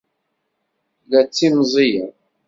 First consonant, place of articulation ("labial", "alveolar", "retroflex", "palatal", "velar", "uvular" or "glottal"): alveolar